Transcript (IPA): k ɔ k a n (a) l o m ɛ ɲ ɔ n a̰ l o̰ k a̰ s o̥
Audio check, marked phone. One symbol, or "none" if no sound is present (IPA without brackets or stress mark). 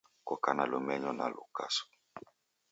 a